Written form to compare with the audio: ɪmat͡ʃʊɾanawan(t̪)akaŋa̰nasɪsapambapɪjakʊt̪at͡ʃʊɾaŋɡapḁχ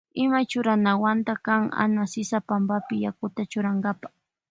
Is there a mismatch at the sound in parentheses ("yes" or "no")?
no